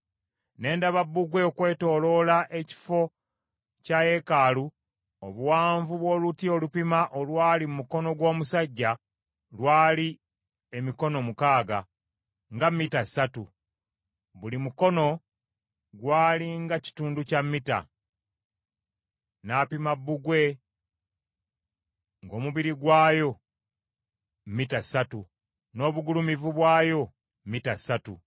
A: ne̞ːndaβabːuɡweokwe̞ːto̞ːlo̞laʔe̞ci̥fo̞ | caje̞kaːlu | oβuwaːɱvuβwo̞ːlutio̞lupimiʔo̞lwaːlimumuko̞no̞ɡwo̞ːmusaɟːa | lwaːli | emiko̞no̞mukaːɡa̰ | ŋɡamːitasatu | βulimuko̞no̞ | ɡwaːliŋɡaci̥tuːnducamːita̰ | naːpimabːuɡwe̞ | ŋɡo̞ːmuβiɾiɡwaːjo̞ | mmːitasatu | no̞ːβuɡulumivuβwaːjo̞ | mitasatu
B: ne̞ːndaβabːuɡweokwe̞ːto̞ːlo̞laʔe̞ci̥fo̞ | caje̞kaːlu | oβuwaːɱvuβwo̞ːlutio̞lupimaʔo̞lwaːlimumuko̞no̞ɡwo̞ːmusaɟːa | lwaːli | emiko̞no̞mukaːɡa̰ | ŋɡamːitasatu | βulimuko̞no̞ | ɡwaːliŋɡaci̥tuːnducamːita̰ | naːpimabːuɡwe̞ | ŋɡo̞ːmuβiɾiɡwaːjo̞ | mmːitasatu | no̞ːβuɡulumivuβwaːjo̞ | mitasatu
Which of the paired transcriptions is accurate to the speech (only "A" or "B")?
B